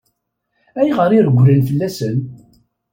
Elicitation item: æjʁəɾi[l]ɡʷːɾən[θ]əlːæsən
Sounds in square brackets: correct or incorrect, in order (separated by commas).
incorrect, incorrect